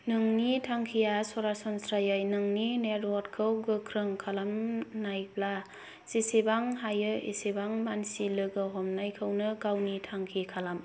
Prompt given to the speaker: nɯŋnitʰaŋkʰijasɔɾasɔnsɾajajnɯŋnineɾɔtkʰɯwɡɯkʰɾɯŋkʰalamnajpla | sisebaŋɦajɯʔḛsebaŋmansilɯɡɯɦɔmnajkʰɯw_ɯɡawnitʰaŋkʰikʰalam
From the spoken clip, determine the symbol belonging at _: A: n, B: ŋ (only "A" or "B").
A